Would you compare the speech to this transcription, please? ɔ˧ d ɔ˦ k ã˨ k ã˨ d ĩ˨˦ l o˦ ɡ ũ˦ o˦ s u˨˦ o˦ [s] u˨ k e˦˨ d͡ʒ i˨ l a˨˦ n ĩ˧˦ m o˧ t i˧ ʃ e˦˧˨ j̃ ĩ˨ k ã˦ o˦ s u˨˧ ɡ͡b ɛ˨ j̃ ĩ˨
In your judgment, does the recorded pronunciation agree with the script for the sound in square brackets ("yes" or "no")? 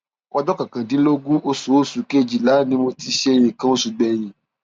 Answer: yes